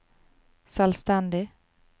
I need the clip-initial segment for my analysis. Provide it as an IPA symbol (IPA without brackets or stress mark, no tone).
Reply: s